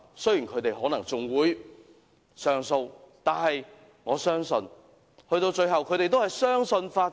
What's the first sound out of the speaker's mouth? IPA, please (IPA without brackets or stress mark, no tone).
s